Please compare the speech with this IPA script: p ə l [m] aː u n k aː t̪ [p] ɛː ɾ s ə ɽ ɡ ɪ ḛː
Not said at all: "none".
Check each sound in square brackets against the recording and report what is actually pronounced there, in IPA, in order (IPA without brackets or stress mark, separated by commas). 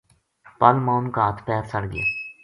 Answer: m, p